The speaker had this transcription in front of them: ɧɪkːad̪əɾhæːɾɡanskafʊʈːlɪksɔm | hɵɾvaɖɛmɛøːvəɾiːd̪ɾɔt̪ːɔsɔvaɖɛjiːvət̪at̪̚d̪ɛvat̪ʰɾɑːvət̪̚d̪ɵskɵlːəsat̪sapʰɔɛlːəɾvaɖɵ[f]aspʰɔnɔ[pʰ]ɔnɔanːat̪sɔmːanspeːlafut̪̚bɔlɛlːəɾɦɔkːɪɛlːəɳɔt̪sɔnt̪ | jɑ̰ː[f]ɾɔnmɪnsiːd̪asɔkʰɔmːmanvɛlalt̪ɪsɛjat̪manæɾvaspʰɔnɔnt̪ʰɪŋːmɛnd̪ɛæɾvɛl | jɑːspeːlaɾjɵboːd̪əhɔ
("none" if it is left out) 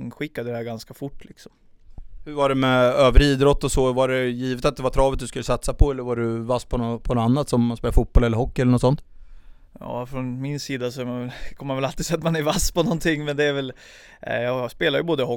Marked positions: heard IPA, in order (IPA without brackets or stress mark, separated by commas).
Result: v, pʰ, f